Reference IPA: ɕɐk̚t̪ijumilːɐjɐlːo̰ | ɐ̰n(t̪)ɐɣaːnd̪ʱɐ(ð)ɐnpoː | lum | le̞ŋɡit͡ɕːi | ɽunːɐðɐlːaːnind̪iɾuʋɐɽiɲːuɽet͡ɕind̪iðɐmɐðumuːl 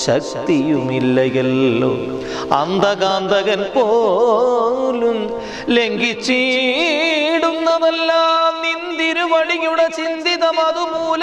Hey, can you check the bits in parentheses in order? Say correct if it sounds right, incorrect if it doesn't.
incorrect: d̪, incorrect: ɣ

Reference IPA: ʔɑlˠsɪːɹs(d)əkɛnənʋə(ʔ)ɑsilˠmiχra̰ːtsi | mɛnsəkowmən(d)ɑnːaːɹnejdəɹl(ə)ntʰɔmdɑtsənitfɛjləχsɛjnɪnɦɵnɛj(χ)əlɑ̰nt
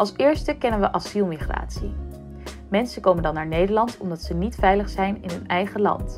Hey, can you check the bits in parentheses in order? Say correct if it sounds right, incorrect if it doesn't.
incorrect: t, correct, correct, incorrect: ɑ, correct

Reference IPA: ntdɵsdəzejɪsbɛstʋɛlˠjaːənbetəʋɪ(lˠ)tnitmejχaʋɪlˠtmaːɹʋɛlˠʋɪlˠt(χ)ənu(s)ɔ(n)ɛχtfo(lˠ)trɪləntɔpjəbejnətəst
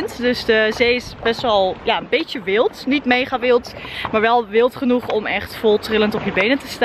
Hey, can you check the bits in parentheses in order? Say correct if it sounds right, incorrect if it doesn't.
correct, correct, incorrect: χ, incorrect: m, correct

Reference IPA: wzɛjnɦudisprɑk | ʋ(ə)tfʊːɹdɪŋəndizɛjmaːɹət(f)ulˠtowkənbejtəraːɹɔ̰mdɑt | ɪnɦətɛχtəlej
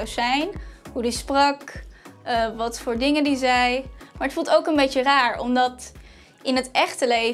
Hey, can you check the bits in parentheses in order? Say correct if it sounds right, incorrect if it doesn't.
incorrect: ɑ, correct

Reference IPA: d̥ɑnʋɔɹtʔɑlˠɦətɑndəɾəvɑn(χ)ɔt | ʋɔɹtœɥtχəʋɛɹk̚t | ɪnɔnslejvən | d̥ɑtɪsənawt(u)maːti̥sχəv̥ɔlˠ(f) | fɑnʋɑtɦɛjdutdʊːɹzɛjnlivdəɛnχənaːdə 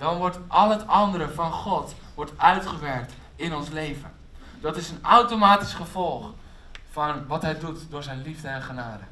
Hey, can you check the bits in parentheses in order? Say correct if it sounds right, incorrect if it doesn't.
correct, incorrect: o, incorrect: χ

